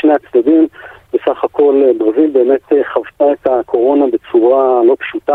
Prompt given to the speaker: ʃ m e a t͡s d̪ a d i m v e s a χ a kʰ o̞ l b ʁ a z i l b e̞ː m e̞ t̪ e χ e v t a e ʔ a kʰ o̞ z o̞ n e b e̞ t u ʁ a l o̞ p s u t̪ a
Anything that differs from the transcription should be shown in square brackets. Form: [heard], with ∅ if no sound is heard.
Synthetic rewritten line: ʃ [n] e a t͡s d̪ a d i m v e s a χ a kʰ o̞ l b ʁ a z i l b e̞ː m e̞ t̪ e χ [a] v t a e [t] a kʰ o̞ [ʁ] o̞ n [a] b e̞ [t͡s] u ʁ a l o̞ p [ʃ] u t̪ a